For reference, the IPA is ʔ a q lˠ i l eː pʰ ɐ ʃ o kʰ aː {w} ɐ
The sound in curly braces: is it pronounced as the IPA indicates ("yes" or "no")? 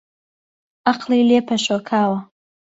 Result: yes